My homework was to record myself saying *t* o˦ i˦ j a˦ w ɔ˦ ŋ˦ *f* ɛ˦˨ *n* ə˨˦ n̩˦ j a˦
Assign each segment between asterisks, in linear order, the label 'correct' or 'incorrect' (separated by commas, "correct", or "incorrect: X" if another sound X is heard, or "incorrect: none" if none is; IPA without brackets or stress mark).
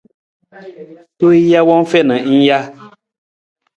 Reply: correct, correct, correct